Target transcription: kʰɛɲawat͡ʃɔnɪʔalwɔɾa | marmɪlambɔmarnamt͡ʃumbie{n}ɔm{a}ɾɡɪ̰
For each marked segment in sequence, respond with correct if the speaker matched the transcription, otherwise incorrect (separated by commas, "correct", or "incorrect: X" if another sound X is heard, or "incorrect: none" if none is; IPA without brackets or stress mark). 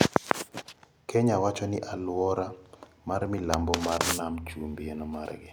correct, correct